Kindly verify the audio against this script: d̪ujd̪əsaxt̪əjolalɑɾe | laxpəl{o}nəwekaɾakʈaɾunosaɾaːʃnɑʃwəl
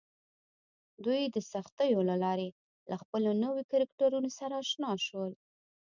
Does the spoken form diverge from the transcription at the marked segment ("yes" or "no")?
no